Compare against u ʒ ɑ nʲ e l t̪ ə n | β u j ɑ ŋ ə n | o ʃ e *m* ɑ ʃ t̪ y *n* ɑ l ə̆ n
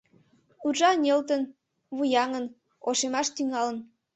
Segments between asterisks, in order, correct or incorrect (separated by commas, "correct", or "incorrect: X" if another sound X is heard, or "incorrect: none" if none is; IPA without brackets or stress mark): correct, incorrect: ŋ